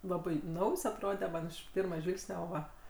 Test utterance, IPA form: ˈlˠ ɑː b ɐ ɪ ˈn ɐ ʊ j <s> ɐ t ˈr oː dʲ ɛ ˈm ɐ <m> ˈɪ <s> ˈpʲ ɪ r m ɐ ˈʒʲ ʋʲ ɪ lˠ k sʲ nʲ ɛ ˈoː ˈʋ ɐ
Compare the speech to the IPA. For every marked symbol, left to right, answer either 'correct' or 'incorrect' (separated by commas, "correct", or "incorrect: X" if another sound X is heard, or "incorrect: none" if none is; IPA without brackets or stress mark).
correct, incorrect: n, incorrect: ʃ